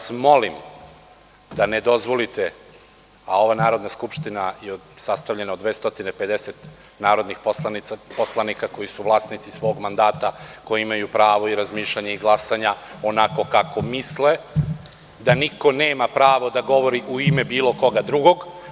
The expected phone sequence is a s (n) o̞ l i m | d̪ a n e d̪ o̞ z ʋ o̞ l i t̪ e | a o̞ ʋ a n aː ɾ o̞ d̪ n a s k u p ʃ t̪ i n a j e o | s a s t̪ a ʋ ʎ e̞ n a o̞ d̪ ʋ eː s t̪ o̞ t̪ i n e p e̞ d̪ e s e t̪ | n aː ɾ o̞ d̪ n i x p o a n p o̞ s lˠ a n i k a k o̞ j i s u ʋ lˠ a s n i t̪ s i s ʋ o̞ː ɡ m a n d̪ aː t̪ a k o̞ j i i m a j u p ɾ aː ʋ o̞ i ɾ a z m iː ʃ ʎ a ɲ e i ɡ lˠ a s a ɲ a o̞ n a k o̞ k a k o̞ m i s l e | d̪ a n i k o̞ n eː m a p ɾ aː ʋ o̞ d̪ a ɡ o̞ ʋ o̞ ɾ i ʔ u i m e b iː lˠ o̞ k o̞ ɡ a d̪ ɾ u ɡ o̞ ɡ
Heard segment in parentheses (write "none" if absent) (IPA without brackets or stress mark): m